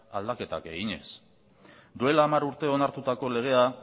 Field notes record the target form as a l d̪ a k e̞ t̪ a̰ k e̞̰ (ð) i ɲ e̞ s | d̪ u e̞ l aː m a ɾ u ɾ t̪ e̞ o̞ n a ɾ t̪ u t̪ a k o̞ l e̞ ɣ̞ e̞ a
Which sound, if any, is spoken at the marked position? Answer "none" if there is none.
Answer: ɣ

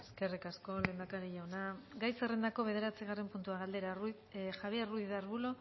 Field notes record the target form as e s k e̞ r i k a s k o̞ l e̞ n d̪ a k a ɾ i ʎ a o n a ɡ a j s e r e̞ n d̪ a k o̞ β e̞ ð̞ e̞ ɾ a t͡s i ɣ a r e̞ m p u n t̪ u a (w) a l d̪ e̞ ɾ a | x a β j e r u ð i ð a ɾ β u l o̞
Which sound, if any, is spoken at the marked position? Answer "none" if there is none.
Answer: ɣ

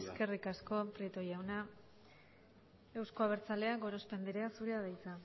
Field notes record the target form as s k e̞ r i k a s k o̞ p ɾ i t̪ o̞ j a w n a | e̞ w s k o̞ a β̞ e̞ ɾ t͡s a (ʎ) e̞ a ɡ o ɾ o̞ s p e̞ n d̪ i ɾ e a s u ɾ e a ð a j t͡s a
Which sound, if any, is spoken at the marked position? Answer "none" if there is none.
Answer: l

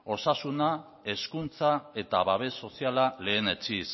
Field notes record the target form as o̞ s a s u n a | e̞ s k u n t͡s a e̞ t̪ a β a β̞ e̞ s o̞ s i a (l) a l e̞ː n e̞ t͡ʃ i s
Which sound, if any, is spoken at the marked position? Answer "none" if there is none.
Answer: l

